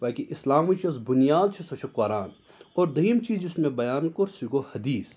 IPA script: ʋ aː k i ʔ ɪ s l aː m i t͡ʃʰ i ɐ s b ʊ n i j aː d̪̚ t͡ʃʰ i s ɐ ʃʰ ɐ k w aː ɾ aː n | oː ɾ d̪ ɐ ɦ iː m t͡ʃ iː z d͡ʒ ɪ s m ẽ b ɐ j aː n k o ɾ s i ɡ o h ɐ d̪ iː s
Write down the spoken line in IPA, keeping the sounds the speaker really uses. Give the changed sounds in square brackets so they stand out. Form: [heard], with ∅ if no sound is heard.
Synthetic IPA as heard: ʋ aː k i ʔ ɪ s l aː m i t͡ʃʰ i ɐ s b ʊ n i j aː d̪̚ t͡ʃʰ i s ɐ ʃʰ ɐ k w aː ɾ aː n | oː ɾ d̪ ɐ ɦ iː m t͡ʃ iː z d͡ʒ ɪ s m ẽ b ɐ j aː n k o ɾ s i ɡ o h ɐ d̪ iː s

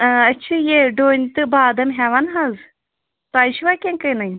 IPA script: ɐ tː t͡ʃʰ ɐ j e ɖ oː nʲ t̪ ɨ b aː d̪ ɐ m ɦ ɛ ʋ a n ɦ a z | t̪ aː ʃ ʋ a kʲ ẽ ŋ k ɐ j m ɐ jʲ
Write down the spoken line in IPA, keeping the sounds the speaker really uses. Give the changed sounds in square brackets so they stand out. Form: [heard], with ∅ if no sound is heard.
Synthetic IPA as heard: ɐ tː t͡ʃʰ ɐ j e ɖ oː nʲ t̪ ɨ b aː d̪ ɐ m ɦ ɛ ʋ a n ɦ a z | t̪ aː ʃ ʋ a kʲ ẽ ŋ k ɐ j [n] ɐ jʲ

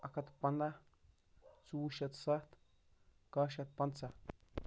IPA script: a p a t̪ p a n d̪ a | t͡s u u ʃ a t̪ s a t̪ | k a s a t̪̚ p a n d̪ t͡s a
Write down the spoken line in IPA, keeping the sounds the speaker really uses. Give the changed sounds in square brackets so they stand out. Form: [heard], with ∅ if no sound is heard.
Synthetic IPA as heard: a [k] a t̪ p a n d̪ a | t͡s u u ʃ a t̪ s a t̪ | k a [ʃ] a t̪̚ p a n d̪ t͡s a

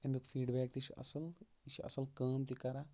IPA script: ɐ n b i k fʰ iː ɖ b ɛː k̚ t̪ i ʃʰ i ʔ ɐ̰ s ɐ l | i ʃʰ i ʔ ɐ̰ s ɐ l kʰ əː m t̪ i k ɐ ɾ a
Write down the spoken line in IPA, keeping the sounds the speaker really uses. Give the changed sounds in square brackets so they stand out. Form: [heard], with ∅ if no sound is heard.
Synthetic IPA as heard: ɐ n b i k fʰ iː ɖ b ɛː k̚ t̪ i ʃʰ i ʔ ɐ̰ s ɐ l | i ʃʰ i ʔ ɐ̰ s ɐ l [k] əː m t̪ i k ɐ ɾ a

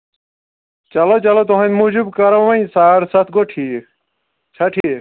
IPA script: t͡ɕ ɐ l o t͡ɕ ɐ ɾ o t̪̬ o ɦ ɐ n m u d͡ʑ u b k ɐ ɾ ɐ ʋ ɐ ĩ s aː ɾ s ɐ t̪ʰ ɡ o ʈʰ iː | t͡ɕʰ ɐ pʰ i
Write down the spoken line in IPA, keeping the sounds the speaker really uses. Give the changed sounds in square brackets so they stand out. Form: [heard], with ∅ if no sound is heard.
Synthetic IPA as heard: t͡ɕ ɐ l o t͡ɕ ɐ [l] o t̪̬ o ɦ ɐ n m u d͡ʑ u b k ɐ ɾ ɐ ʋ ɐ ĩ s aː ɾ s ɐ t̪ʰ ɡ o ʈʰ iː | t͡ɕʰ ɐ [ʈʰ] i

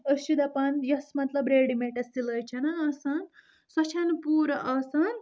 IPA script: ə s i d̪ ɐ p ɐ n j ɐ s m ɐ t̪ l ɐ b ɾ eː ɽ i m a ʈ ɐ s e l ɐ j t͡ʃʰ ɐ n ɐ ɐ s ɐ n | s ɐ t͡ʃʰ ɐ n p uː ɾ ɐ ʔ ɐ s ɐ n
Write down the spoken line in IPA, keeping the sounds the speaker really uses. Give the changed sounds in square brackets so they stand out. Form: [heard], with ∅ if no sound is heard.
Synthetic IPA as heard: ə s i d̪ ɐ p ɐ n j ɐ s m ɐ t̪ l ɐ b ɾ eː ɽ i m [e] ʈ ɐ s [i] l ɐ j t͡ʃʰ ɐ n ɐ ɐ s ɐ n | s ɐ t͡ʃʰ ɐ n p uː ɾ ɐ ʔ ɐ s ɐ n

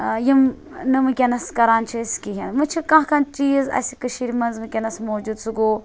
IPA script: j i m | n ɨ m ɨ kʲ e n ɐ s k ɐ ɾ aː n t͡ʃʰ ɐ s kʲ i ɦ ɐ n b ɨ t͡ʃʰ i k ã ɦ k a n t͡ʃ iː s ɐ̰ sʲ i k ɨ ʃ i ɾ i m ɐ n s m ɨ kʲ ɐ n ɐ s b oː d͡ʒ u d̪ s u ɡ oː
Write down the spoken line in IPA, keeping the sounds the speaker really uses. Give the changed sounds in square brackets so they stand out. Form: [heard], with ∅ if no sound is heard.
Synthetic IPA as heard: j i m | n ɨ m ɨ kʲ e n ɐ s k ɐ ɾ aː n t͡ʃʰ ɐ s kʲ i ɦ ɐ n [m] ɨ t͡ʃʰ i k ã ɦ k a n t͡ʃ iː [z] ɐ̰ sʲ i k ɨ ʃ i ɾ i m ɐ n [z] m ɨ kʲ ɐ n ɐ s [m] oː d͡ʒ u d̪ s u ɡ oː

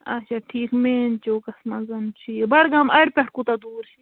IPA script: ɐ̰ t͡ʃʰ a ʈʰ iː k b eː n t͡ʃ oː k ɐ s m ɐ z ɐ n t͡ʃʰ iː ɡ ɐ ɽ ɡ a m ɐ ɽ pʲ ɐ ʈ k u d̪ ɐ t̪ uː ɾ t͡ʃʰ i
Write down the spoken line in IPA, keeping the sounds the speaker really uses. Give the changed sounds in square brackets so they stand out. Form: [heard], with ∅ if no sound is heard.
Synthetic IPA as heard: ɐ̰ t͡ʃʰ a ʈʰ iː k [m] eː n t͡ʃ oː k ɐ s m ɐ z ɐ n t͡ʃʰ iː [b] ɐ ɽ ɡ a m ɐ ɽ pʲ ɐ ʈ k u [t̪] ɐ [d̪] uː ɾ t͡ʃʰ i

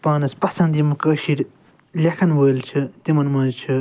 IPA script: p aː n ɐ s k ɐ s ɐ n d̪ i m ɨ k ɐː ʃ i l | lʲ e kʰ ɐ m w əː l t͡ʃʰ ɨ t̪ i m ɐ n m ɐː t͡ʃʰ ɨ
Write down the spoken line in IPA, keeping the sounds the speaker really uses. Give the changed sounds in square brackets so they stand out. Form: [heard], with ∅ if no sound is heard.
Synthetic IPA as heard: p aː n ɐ s [p] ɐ s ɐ n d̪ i m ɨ k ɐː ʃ i [ɾ] | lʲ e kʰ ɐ [n] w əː l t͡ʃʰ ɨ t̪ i m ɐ n m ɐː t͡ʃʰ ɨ

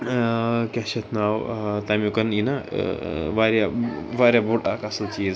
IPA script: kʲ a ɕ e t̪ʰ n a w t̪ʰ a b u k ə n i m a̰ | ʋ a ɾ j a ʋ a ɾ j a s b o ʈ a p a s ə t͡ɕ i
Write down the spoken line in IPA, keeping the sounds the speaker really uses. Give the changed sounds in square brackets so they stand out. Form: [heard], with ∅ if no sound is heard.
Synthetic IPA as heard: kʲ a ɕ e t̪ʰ n a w [t̪] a [m] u k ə n i [n] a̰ | ʋ a ɾ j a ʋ a ɾ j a [∅] b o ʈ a [k] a s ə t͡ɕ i

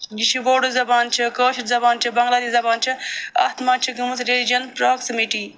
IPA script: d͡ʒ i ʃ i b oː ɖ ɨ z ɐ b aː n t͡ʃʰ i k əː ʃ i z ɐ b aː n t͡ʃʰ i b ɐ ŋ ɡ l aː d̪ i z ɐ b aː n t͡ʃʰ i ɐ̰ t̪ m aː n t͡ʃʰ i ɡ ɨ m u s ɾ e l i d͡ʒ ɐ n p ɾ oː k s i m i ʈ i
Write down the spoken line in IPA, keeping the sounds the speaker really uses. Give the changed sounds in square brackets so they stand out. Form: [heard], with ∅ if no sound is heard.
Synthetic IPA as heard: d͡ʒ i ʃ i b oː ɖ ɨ z ɐ b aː n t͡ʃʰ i k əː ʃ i z ɐ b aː n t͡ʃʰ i b ɐ ŋ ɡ l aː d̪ i z ɐ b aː n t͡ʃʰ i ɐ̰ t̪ m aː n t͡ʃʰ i ɡ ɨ m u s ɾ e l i d͡ʒ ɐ n p ɾ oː k s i m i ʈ i

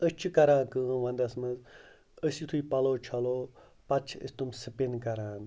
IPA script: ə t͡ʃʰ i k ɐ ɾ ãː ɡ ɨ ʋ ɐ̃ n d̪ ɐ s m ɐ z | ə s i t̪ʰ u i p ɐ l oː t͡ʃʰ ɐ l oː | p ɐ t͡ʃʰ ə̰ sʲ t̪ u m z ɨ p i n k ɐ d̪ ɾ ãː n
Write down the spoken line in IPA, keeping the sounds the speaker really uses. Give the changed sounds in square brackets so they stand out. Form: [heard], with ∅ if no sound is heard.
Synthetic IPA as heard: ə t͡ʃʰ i k ɐ ɾ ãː [k] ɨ ʋ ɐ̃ n d̪ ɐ s m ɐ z | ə s i t̪ʰ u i p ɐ l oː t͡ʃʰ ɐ l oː | p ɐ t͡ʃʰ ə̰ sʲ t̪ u m [s] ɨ p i n k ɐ [∅] ɾ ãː n

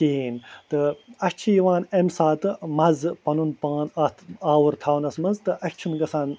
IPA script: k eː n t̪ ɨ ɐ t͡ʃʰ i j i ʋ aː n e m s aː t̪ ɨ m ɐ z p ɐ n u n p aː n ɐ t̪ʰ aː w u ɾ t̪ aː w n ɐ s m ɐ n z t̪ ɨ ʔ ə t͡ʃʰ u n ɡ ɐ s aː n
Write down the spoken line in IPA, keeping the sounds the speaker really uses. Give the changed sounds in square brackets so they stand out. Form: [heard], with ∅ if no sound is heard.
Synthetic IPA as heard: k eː n t̪ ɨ ɐ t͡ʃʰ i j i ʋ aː n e m s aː t̪ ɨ m ɐ z p ɐ n u n p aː n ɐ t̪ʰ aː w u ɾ [t̪ʰ] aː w n ɐ s m ɐ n z t̪ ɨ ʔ [ɐ] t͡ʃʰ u n ɡ ɐ s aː n

